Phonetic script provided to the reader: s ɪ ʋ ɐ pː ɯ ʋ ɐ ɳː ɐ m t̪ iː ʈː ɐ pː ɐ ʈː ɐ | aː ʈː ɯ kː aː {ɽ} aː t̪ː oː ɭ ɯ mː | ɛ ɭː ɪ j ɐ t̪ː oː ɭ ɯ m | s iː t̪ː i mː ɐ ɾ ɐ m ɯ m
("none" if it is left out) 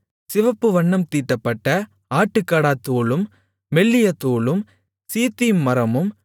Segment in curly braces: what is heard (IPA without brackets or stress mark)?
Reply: ɽ